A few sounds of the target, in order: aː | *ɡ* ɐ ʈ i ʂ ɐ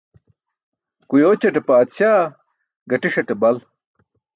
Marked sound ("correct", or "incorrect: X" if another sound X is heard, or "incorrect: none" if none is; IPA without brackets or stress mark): correct